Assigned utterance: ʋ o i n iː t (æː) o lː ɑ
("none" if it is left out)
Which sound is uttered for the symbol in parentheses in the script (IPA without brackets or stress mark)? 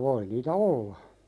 æ